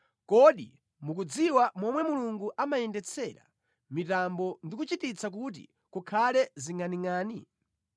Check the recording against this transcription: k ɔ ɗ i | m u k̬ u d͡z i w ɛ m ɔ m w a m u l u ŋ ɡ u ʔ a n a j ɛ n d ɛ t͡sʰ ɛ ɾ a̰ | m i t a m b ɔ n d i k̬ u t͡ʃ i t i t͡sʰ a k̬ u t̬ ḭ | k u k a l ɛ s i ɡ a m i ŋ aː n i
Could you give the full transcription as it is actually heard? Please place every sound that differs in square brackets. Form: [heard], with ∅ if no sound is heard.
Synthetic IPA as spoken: k ɔ ɗ i | m u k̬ u d͡z i w [a] m ɔ m w [ɛ] m u l u ŋ ɡ u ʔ a [m] a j ɛ n d ɛ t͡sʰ ɛ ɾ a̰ | m i t a m b ɔ n d i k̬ u t͡ʃ i t i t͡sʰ a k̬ u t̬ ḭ | k u [kʰ] a l ɛ [z] i [ŋ] a [n] i ŋ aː n i